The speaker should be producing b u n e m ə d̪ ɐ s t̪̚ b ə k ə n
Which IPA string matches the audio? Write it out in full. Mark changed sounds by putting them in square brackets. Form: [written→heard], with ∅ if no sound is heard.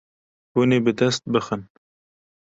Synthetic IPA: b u n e [m→b] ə d̪ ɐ s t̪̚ b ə [k→x] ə n